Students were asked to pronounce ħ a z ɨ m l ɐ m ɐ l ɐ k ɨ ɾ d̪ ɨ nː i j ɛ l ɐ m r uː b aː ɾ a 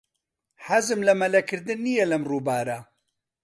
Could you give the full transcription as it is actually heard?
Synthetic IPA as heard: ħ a z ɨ m l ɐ m ɐ l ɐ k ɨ ɾ d̪ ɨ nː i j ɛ l ɐ m r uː b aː ɾ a